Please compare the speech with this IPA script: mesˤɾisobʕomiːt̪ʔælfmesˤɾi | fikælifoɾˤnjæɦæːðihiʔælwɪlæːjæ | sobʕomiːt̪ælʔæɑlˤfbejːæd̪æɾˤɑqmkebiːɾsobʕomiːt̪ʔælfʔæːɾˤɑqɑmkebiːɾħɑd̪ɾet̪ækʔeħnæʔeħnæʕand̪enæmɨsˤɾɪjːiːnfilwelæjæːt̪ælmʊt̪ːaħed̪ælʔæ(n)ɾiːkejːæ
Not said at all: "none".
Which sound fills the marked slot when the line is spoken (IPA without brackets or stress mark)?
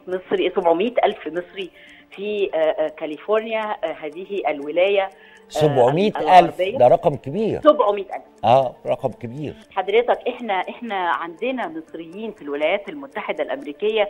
m